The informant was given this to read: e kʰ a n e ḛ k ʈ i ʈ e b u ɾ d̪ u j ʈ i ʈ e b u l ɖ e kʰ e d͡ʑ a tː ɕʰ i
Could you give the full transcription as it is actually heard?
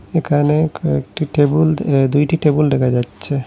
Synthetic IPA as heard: e kʰ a n e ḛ k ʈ i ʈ e b u l d̪ u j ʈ i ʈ e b u l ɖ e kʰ a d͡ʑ a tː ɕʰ e